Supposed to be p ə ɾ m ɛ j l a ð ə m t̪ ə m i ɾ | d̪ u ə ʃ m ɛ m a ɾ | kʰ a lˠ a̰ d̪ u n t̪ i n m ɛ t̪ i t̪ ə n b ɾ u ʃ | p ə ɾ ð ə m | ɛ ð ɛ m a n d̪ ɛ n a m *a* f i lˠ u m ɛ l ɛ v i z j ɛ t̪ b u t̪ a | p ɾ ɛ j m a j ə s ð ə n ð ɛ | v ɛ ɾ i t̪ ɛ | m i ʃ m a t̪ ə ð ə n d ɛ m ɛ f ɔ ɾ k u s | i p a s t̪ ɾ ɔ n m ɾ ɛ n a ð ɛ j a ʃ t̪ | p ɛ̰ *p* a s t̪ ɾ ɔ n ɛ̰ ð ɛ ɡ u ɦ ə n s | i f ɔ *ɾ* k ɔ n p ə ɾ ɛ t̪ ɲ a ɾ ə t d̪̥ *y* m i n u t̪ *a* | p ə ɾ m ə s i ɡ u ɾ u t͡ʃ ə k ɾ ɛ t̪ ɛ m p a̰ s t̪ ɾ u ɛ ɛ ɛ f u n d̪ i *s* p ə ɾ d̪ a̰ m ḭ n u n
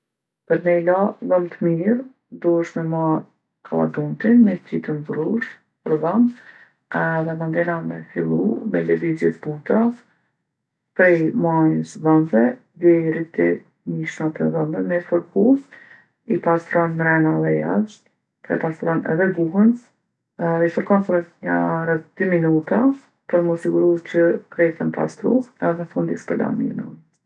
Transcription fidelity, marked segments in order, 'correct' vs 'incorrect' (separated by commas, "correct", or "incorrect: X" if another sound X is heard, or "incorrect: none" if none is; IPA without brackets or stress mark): incorrect: ɛ, correct, correct, correct, correct, correct